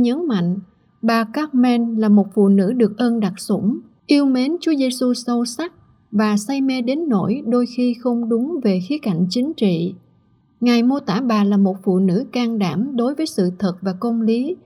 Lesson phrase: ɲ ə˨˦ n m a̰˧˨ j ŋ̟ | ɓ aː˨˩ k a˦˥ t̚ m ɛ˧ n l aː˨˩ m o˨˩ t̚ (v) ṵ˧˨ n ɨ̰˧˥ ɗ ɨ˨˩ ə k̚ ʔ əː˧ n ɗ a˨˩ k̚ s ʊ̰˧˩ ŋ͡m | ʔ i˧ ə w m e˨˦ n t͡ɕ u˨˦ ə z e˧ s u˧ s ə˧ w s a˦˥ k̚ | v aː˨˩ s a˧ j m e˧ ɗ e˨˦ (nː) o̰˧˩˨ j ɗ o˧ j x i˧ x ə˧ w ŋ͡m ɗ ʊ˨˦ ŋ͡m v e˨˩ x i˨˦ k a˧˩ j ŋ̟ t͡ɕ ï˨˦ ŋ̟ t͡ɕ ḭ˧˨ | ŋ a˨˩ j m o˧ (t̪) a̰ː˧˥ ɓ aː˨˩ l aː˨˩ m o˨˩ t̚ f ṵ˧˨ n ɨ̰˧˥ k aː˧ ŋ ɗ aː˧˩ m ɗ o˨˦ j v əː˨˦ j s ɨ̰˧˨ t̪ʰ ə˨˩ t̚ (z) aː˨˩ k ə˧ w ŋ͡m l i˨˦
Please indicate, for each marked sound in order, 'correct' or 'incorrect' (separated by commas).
incorrect, correct, correct, incorrect